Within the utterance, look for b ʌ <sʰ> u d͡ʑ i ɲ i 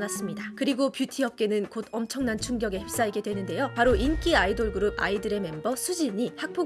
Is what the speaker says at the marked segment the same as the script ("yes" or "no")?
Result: yes